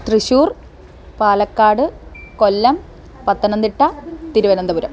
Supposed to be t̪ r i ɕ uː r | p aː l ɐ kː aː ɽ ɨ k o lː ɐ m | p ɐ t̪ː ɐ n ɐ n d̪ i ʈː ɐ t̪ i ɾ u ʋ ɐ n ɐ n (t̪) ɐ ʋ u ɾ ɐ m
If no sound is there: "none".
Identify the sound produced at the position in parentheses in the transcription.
d̪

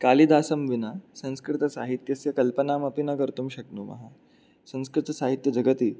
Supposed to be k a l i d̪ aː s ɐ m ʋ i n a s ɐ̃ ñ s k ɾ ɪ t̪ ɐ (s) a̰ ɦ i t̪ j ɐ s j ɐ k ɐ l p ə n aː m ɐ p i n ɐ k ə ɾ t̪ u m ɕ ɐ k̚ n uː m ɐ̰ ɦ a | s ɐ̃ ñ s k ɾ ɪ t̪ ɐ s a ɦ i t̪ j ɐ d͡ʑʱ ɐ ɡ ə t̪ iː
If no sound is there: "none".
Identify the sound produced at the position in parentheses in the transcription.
s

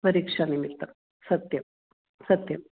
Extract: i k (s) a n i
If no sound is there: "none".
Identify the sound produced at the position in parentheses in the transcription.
ʂ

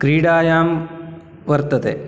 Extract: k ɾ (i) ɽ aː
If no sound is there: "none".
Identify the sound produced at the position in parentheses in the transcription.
iː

